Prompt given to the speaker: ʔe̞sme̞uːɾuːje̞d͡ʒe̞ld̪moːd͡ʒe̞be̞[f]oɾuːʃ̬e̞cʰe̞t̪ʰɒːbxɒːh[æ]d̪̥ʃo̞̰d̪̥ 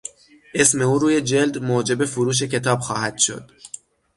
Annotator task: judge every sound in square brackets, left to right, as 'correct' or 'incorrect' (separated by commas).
correct, correct